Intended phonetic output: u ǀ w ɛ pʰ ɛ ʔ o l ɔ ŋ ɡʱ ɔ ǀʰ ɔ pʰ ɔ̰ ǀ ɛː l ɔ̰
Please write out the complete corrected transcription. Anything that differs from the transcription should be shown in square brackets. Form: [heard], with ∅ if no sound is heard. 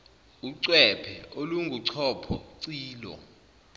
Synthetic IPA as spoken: u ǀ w ɛ pʰ ɛ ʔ o l [u] ŋ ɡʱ [u] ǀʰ ɔ pʰ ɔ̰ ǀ [iː] l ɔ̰